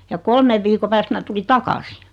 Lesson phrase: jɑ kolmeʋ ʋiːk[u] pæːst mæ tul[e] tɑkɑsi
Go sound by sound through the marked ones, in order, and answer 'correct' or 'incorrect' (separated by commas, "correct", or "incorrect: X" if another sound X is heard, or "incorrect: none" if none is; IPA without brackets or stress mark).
incorrect: o, incorrect: i